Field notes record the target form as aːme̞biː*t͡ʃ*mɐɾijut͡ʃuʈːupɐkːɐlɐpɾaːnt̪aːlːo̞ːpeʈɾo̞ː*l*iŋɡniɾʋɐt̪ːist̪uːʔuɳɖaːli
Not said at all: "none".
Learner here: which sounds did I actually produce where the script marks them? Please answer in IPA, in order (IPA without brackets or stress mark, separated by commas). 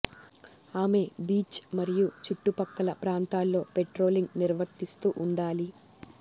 t͡ʃ, l